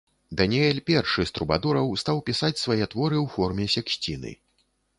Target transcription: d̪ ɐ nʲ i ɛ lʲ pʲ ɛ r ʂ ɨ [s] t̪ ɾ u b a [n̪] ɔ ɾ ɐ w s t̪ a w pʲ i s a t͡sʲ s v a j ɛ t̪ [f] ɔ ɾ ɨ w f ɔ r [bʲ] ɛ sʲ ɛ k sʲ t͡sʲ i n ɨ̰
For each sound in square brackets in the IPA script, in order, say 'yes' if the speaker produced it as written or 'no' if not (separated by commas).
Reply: yes, no, no, no